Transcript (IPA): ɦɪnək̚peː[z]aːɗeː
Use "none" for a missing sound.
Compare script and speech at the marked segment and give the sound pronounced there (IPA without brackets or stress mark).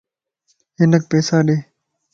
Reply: s